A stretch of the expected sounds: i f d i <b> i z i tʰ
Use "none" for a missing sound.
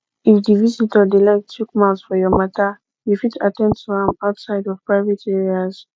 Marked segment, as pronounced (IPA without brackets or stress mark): v